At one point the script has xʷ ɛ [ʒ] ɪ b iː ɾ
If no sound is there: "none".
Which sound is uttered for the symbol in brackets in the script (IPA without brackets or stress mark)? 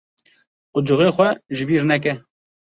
ʒ